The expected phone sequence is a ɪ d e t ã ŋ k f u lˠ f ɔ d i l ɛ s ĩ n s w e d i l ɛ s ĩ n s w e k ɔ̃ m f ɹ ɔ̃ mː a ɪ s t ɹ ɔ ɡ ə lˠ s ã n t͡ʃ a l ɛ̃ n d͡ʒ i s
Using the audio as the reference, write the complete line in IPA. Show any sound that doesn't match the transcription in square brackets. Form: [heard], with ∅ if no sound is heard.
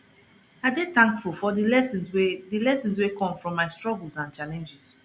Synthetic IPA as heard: a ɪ d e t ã ŋ k f u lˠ f ɔ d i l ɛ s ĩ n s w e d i l ɛ s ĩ n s w e k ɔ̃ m f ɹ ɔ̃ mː a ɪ s t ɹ ɔ ɡ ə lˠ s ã n t͡ʃ a l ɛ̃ n d͡ʒ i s